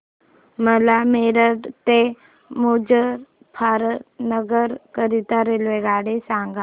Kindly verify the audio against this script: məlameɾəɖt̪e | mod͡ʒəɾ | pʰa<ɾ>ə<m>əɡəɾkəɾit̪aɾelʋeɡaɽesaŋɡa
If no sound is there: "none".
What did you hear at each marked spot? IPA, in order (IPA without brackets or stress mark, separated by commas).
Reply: ɾ, n